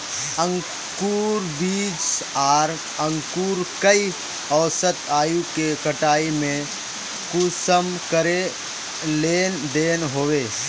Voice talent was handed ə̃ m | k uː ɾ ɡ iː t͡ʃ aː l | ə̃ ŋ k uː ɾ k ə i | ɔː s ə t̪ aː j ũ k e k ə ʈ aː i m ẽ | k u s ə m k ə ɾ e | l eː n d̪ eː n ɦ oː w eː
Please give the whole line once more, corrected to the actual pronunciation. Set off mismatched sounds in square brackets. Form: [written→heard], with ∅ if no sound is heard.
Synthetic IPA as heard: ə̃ [m→ŋ] | k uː ɾ [ɡ→b] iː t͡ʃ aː [l→ɾ] | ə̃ ŋ k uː ɾ k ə i | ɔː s ə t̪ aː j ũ k e k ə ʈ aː i m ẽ | k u s ə m k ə ɾ e | l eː n d̪ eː n ɦ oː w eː